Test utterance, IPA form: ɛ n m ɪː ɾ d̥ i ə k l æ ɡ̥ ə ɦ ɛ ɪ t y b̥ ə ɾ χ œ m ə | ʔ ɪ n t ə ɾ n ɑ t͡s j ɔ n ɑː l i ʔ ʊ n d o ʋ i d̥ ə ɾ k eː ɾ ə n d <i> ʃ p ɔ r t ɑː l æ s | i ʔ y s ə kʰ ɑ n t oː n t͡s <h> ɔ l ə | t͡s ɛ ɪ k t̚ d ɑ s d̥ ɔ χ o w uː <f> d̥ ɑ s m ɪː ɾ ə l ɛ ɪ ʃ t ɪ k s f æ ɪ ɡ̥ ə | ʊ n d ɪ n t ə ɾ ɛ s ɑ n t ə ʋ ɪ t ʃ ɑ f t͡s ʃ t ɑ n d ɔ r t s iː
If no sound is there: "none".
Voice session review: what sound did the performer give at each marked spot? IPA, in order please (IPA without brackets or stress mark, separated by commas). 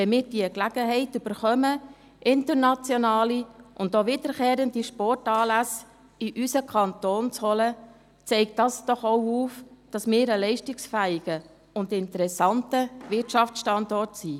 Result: i, h, f